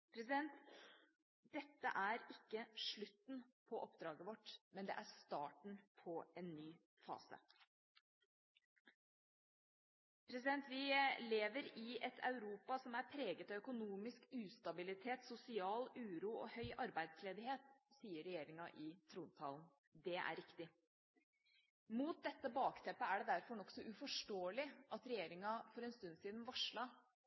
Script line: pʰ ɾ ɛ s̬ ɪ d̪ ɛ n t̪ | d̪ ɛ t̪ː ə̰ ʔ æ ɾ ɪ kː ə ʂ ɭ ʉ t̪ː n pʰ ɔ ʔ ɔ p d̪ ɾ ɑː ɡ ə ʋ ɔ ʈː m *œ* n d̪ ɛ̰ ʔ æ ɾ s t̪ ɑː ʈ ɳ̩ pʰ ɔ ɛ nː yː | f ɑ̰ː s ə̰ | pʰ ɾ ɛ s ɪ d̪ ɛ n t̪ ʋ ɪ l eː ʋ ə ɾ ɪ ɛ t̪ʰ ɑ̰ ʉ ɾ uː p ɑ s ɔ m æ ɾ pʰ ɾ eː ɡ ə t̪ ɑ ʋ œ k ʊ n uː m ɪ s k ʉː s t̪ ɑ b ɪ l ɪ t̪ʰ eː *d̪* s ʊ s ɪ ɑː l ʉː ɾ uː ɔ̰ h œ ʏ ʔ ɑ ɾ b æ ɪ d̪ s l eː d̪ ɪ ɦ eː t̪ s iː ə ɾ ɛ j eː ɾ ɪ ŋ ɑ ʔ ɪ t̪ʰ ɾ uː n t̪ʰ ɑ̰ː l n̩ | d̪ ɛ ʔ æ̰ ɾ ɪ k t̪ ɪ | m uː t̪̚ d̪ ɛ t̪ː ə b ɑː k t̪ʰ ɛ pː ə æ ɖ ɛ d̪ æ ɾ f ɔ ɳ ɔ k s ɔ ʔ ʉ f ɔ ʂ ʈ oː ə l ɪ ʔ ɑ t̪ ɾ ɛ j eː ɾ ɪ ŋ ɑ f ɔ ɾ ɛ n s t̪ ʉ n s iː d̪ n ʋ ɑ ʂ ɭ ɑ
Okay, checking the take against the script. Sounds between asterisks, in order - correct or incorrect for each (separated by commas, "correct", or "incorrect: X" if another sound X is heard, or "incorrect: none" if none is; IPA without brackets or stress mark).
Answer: incorrect: ɛ, incorrect: t̪